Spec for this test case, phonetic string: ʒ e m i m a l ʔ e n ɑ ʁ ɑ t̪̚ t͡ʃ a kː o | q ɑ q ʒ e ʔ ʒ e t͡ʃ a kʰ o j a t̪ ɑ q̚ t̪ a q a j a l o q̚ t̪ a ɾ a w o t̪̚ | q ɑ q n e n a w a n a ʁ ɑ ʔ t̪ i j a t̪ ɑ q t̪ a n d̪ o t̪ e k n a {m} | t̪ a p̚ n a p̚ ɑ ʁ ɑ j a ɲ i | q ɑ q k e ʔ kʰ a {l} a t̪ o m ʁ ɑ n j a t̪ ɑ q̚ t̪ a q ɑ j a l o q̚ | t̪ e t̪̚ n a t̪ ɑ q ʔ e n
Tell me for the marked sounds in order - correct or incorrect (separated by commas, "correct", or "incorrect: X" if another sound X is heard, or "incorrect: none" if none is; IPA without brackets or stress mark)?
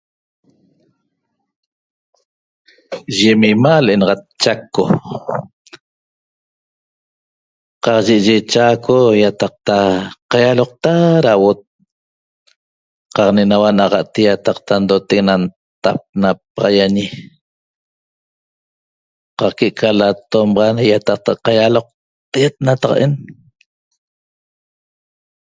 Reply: incorrect: n, correct